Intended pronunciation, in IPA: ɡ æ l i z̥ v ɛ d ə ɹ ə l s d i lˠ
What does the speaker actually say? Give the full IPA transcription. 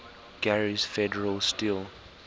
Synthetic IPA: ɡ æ ɹ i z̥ f ɛ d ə ɹ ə l s t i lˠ

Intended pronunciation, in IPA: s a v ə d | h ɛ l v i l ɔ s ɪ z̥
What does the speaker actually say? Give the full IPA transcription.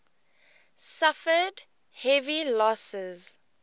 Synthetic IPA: s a f ə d | h ɛ v i l ɔ s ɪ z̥

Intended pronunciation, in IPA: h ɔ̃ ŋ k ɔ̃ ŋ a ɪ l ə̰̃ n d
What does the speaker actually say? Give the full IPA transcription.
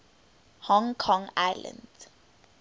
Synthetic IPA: h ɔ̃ ŋ kʰ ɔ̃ ŋ a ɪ l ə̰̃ n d

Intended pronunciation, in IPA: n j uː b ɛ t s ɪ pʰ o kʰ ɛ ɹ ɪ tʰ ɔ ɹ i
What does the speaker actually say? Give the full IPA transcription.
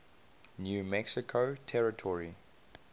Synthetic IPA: n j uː m ɛ k s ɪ kʰ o tʰ ɛ ɹ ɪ tʰ ɔ ɹ i

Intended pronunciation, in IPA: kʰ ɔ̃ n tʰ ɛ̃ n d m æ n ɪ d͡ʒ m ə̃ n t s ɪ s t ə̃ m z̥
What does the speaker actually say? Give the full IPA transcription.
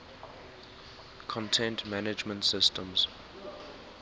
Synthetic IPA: kʰ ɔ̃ n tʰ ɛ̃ n t m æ n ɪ d͡ʒ m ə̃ n t s ɪ s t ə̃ m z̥

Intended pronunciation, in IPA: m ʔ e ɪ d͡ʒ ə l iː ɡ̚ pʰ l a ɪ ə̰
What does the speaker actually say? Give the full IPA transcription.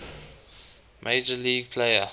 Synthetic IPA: m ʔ e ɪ d͡ʒ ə l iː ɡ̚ pʰ l e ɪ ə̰

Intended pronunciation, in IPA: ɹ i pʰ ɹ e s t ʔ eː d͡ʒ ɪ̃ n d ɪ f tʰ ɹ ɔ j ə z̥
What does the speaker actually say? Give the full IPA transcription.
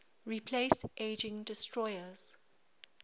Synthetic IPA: ɹ i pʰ l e s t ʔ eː d͡ʒ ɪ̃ ŋ d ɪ s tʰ ɹ ɔ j ə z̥

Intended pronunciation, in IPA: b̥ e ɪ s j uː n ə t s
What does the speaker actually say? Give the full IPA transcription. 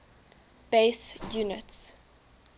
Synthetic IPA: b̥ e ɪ s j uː n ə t s

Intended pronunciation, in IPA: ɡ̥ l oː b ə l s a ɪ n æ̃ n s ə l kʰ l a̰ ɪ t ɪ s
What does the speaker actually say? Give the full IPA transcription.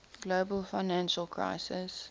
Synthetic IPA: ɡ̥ l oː b ə l f a ɪ n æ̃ n ʃ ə l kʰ ɹ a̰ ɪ s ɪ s

